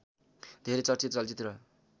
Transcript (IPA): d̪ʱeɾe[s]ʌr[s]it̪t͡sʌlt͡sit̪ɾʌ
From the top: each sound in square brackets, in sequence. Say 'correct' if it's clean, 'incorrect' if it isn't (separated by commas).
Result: incorrect, incorrect